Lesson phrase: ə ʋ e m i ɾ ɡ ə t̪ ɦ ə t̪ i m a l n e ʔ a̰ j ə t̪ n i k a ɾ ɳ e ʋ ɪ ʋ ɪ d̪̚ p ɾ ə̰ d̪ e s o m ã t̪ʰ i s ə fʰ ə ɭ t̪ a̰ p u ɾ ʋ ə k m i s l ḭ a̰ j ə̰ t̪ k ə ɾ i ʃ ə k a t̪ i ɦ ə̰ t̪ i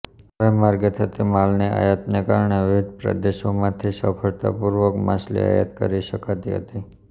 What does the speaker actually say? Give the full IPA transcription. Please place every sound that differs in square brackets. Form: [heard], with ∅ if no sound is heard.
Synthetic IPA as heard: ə ʋ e m [a] ɾ ɡ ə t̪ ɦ ə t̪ i m a l n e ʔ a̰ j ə t̪ n [e] k a ɾ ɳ e ʋ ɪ ʋ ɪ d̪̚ p ɾ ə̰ d̪ e [ʃ] o m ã t̪ʰ i s ə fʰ ə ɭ t̪ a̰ p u ɾ ʋ ə k m [a] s l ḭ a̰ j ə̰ t̪ k ə ɾ i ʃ ə k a t̪ i ɦ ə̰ t̪ i